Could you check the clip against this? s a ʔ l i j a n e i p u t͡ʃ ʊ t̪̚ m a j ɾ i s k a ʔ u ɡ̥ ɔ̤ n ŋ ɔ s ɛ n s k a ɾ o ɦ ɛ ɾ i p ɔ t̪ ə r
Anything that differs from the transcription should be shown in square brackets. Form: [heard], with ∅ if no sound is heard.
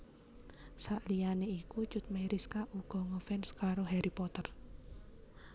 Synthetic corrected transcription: s a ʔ l i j a n e i [k] u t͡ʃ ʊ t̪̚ m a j ɾ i s k a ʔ u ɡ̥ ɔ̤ [∅] ŋ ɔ [f] ɛ n s k a ɾ o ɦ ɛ ɾ i p ɔ t̪ ə r

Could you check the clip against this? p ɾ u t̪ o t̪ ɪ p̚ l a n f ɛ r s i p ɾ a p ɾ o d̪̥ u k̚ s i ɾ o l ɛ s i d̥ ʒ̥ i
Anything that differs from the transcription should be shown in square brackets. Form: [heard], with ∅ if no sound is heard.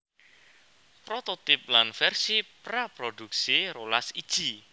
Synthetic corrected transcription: p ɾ [o] t̪ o t̪ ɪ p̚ l a n f ɛ r s i p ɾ a p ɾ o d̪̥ u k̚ s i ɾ o l [a] s i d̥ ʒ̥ i

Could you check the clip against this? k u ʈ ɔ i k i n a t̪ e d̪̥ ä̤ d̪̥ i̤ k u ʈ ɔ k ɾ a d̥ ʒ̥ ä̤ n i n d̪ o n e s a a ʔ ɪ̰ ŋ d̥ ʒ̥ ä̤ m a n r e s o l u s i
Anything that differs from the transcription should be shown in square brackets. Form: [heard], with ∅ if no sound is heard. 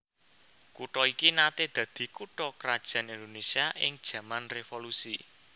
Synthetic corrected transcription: k u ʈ ɔ i k i n a t̪ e d̪̥ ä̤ d̪̥ i̤ k u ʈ ɔ k ɾ a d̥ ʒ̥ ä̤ n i n d̪ o n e s [i] a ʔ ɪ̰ ŋ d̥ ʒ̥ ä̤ m a n r e [f] o l u s i

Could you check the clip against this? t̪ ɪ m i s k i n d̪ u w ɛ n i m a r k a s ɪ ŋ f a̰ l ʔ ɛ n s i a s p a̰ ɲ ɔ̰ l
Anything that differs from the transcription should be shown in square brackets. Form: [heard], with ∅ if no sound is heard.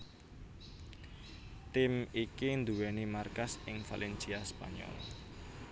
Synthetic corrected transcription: t̪ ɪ m i [∅] k i n d̪ u w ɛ n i m a r k a s ɪ ŋ f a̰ l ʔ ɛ n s i a s p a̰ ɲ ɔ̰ l

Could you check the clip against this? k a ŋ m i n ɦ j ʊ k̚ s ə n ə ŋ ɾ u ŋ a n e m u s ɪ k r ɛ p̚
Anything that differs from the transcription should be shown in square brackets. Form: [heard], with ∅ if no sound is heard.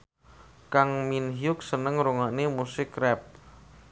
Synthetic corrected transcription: k a ŋ m i n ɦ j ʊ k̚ s ə n ə ŋ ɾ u ŋ a n e m u s ɪ k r ɛ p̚

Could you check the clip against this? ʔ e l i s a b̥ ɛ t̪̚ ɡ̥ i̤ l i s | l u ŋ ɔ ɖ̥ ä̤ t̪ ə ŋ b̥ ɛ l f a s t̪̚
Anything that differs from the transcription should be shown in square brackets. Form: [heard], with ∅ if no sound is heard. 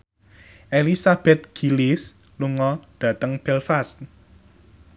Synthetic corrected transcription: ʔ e l i s a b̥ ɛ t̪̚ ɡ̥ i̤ l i s | l u ŋ ɔ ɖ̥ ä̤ t̪ ə ŋ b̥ ɛ l f a s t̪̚

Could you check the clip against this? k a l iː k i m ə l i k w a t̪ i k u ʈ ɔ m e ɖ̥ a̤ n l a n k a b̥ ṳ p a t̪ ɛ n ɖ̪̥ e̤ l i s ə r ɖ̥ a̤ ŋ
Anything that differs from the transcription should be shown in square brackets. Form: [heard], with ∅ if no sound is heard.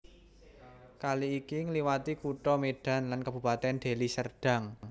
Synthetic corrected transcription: k a l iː k i [ŋ] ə l i [∅] w a t̪ i k u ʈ ɔ m e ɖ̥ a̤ n l a n k a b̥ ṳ p a t̪ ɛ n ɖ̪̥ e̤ l i s ə r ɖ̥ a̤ ŋ

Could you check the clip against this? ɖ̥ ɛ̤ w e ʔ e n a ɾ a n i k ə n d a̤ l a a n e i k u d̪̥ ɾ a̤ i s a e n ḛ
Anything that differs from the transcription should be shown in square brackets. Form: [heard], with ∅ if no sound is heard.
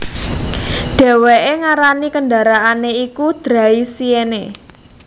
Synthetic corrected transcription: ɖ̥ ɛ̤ w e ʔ e [ŋ] a ɾ a n i k ə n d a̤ [ɾ] a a n e i k u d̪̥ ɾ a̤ i s [i] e n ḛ

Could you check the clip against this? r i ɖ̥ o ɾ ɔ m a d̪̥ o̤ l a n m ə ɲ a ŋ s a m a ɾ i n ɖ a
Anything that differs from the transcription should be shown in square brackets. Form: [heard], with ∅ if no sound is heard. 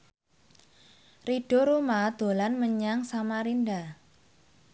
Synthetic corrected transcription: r i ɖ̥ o ɾ [u] m a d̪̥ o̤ l a n m ə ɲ a ŋ s a m a ɾ i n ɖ a

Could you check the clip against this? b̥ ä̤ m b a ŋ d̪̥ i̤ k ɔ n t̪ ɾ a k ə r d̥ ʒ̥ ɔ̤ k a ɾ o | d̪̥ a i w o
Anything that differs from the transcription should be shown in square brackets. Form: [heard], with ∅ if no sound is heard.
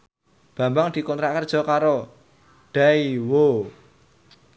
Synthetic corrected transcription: b̥ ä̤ m b a ŋ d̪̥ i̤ k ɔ n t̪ ɾ a k ə r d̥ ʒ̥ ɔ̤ k a ɾ o | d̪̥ a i w o

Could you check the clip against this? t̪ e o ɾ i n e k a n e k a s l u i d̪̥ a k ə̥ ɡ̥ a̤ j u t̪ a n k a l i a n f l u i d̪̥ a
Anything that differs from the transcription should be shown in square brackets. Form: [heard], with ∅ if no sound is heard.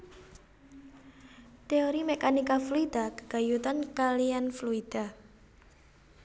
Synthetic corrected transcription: t̪ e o ɾ i [m] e k a n [i] k a [f] l u i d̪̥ a k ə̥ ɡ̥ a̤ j u t̪ a n k a l i a n f l u i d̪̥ a

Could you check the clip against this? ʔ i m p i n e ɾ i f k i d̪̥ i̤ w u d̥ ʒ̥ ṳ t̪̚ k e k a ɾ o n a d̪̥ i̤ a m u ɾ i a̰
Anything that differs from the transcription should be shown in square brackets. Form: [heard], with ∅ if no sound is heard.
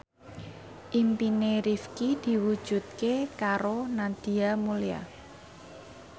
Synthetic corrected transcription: ʔ i m p i n e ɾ i f k i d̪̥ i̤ w u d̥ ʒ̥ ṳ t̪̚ k e k a ɾ o n a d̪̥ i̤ a m u [l] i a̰

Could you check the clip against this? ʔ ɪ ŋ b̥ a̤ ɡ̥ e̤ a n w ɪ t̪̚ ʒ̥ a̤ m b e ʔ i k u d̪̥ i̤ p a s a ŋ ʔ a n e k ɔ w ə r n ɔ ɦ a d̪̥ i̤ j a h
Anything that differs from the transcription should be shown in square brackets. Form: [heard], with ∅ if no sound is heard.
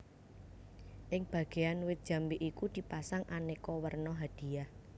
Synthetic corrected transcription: ʔ ɪ ŋ b̥ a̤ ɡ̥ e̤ a n w ɪ t̪̚ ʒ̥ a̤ m b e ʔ i k u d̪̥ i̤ p a s a ŋ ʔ a n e k ɔ w ə r n ɔ ɦ a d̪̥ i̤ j a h

